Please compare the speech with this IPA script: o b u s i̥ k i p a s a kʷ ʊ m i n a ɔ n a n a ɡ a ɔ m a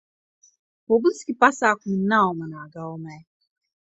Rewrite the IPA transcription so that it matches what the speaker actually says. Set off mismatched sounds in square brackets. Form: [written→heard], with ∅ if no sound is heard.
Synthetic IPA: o b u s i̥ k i p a s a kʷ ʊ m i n a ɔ [n→m] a n a ɡ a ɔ m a